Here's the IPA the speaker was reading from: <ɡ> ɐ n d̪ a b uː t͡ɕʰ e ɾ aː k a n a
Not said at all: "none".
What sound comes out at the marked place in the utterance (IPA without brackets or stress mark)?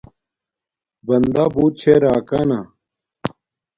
b